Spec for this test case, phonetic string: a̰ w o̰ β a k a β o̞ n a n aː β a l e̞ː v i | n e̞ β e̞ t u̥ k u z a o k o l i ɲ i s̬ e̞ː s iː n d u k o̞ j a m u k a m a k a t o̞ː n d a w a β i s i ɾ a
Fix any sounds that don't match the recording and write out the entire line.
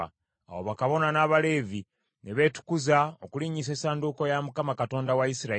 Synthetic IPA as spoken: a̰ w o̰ β a k a β o̞ n a n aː β a l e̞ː v i | n e̞ β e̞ t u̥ k u z a o k u l i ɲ i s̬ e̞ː s aː n d u k o̞ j a m u k a m a k a t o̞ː n d a w a i s i ɾ a